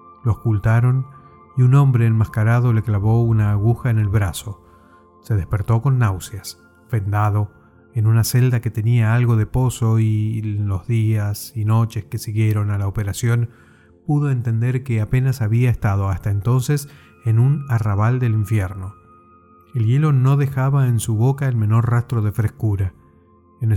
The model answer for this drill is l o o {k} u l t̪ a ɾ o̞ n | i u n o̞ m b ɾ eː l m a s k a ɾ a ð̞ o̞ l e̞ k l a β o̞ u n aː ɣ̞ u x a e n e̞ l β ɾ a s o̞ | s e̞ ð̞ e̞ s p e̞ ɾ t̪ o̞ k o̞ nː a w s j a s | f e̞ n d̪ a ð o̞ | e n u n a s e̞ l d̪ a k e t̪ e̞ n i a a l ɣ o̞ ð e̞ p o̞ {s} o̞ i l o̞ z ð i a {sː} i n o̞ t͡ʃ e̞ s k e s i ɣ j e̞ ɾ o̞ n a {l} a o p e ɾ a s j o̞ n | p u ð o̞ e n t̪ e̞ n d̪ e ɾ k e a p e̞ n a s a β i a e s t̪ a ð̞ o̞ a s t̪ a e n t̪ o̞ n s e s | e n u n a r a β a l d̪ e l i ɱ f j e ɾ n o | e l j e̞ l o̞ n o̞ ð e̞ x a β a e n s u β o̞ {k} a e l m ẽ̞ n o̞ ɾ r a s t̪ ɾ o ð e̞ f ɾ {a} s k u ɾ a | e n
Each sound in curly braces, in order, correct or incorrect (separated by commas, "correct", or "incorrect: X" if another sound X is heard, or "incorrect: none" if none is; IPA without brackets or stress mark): correct, correct, incorrect: s, correct, correct, incorrect: e